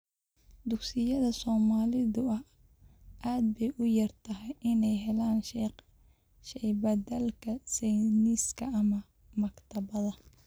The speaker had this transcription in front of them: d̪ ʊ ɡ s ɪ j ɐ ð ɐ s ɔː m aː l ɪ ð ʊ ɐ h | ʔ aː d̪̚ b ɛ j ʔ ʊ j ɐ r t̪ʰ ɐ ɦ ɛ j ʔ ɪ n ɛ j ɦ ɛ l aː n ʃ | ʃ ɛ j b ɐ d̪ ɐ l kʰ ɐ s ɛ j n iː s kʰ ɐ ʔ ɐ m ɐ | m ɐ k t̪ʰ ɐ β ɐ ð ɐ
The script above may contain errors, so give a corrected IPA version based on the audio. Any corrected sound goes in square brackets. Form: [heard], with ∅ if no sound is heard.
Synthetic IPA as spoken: d̪ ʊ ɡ s ɪ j ɐ ð ɐ s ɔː m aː l ɪ ð ʊ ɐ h | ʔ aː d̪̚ b ɛ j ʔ ʊ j ɐ r t̪ʰ ɐ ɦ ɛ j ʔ ɪ n ɛ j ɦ ɛ l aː n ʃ | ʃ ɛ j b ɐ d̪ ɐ l kʰ ɐ s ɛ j n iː s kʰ ɐ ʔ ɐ m ɐ | m ɐ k t̪ʰ ɐ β ɐ ð ɐ